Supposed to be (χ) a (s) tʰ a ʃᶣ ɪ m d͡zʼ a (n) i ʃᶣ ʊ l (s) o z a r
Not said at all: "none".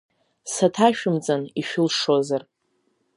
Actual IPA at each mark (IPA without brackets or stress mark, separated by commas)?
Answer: s, none, n, ʂ